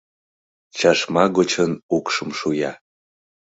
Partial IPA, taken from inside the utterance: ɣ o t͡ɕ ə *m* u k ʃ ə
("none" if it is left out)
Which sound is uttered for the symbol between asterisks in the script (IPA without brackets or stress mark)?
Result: n